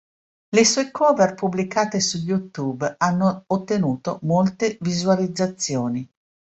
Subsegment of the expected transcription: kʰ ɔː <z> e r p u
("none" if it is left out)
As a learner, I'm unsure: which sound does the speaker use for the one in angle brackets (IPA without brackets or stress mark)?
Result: v